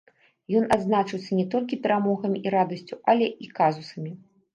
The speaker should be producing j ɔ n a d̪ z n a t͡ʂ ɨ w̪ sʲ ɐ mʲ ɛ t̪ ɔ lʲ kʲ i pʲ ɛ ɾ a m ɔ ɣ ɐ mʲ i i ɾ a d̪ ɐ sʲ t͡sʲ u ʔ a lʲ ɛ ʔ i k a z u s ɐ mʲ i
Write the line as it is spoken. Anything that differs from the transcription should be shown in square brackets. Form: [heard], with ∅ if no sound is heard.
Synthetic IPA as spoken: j ɔ n a d̪ z n a t͡ʂ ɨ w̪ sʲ ɐ [nʲ] ɛ t̪ ɔ lʲ kʲ i pʲ ɛ ɾ a m ɔ ɣ ɐ mʲ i i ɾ a d̪ ɐ sʲ t͡sʲ u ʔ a lʲ ɛ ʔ i k a z u s ɐ mʲ i